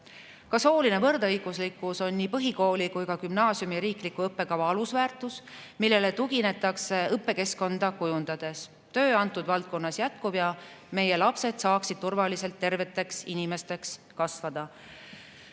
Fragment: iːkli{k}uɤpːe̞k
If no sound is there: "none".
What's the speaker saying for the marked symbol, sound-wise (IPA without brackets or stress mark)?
k